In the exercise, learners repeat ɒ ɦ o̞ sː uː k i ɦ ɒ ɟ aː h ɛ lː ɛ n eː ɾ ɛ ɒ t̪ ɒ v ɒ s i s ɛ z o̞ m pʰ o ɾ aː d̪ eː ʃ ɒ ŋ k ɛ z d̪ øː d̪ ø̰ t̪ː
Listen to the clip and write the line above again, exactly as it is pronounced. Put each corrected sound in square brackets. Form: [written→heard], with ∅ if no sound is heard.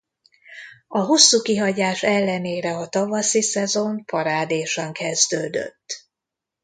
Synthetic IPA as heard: ɒ ɦ o̞ sː uː k i ɦ ɒ ɟ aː [h→ʃ] ɛ lː ɛ n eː ɾ ɛ ɒ t̪ ɒ v ɒ s i s ɛ z o̞ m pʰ [o→ɒ] ɾ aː d̪ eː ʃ ɒ ŋ k ɛ z d̪ øː d̪ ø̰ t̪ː